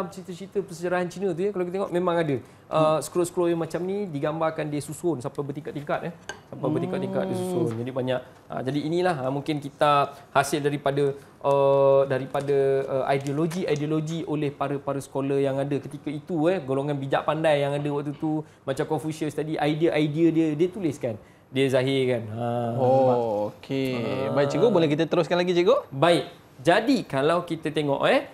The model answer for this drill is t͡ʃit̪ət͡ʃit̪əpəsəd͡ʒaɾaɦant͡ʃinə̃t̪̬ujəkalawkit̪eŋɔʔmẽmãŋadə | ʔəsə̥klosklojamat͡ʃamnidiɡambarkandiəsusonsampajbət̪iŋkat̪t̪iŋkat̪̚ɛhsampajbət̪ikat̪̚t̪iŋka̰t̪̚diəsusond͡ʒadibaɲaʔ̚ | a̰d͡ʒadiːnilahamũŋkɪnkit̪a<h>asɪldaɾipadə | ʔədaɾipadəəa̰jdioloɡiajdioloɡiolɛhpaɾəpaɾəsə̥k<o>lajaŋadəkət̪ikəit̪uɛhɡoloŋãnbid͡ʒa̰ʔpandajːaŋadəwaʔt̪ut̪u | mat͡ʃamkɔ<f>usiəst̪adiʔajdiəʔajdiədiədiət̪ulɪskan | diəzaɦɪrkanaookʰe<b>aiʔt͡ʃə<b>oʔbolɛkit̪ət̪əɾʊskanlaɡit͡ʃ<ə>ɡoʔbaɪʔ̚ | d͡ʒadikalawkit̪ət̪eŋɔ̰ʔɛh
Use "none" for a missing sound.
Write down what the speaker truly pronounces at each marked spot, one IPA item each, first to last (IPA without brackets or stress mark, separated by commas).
h, o, f, b, ɡ, ə